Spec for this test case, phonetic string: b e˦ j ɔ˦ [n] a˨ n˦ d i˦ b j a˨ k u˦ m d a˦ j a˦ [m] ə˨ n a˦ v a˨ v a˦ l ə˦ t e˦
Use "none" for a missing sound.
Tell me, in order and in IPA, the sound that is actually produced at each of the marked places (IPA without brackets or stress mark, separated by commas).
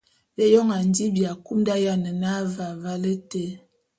ŋ, n